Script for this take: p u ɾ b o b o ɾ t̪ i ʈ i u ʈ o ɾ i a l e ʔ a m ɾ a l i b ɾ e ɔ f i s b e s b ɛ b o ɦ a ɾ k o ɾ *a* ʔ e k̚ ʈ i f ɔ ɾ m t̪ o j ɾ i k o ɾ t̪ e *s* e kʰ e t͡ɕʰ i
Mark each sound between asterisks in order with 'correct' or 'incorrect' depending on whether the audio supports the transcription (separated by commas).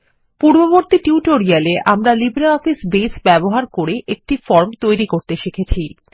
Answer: incorrect, incorrect